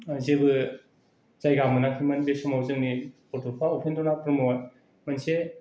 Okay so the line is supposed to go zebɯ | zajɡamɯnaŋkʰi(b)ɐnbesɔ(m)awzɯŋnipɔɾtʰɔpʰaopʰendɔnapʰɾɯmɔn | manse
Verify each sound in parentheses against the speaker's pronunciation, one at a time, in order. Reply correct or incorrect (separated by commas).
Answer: incorrect, correct